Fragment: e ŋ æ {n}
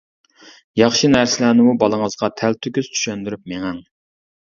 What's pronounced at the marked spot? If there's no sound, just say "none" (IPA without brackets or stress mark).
ŋ